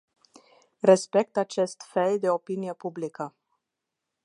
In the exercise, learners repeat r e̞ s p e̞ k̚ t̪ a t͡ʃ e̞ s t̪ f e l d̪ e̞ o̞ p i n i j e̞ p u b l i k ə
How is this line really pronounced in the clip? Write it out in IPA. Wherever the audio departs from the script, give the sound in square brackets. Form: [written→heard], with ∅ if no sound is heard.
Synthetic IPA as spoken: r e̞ s p e̞ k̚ t̪ a t͡ʃ e̞ s t̪ f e l d̪ e̞ o̞ p i n i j e̞ p u b l i k ə